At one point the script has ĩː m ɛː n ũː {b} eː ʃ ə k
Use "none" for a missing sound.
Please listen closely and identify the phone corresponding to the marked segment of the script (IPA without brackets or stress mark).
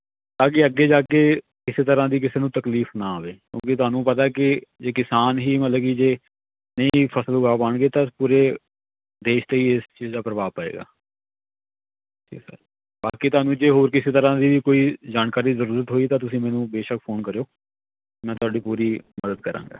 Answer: b